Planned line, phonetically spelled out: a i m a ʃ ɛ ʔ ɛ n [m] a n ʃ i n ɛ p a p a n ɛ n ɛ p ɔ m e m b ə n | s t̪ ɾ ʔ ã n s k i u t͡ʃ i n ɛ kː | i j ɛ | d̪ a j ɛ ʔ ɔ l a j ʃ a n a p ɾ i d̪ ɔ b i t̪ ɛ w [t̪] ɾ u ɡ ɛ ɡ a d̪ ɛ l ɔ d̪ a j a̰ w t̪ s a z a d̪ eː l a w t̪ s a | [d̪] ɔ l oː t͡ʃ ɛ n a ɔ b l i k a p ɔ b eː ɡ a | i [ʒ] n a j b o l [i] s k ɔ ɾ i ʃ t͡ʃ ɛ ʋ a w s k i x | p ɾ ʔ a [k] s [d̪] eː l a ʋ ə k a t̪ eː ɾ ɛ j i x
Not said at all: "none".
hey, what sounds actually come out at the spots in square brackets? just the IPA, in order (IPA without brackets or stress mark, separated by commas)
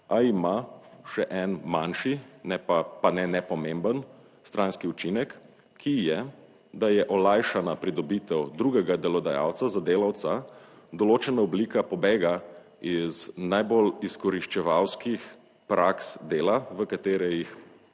m, d̪, d̪, z, i, k, d̪